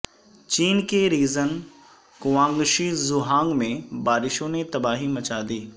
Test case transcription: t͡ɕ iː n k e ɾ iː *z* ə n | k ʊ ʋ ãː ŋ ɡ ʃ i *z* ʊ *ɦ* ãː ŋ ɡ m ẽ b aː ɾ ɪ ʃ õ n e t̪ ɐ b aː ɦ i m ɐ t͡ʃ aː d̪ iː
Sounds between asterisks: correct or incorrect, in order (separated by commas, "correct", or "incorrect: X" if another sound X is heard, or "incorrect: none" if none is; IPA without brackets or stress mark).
correct, correct, correct